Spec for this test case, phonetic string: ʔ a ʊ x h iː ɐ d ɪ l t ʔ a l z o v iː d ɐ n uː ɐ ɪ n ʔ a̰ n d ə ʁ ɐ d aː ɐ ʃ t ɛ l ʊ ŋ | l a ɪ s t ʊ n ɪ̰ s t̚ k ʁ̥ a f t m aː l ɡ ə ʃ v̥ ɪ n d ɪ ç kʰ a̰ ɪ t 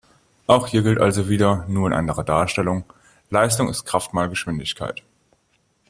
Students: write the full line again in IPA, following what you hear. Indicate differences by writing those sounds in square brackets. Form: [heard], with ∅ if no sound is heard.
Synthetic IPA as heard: ʔ a ʊ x h iː ɐ [ɡ] ɪ l t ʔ a l z o v iː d ɐ n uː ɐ ɪ n ʔ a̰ n d ə ʁ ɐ d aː ɐ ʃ t ɛ l ʊ ŋ | l a ɪ s t ʊ [ŋ] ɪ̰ s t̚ k ʁ̥ a f t m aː l ɡ ə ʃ v̥ ɪ n d ɪ ç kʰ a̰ ɪ t